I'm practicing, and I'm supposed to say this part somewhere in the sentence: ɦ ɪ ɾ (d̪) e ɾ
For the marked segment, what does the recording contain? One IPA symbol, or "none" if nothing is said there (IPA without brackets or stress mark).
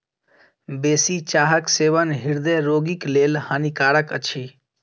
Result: d̪